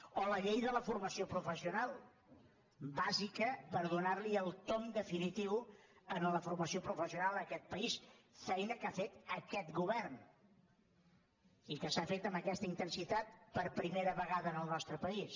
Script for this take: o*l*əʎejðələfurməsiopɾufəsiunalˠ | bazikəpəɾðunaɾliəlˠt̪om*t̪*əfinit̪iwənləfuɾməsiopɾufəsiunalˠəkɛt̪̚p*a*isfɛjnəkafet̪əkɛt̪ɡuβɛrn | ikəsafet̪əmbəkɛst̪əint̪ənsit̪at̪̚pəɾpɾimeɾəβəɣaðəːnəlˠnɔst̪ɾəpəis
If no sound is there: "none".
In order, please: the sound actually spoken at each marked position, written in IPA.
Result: l, d̪, ə

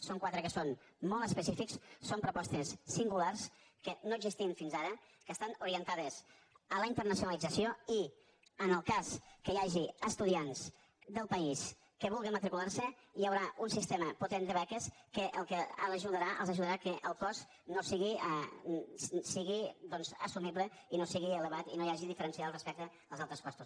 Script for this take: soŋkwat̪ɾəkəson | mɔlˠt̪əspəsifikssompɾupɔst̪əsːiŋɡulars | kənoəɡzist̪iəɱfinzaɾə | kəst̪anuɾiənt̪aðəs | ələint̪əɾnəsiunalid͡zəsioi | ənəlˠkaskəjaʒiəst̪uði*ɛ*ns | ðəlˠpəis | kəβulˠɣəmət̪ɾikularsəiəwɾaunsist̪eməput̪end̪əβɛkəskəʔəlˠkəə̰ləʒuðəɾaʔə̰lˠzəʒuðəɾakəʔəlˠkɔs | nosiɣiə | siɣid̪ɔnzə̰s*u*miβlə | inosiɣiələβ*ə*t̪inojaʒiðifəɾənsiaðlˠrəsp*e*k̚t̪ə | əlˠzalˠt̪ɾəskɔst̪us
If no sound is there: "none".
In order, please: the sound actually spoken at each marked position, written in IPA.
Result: a, u, a, ɛ

